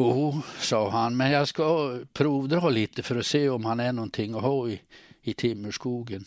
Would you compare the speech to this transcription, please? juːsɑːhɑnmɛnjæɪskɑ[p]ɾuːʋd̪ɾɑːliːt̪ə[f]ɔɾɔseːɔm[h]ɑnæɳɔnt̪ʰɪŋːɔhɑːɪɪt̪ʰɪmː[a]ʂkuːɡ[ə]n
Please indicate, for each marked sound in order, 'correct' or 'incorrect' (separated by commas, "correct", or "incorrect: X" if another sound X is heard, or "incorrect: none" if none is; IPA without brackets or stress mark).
incorrect: pʰ, correct, correct, incorrect: ə, correct